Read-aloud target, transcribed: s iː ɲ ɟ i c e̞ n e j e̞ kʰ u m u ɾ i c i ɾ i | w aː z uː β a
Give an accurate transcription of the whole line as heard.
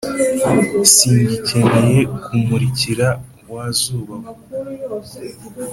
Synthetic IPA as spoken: s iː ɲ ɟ i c e̞ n e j e̞ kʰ u m u ɾ i c i ɾ a | w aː z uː β a